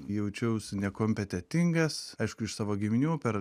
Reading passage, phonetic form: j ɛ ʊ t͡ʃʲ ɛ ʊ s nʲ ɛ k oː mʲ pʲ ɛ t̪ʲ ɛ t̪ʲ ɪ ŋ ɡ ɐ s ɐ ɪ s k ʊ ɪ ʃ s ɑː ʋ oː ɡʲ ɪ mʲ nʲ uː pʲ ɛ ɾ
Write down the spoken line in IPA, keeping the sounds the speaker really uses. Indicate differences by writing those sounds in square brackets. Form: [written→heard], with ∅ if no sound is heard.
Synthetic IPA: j ɛ ʊ t͡ʃʲ ɛ ʊ s nʲ ɛ k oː mʲ pʲ ɛ t̪ʲ ɛ t̪ʲ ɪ ŋ ɡ ɐ s ɐ ɪ [s→ʃ] k ʊ ɪ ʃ s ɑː ʋ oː ɡʲ ɪ mʲ nʲ uː pʲ ɛ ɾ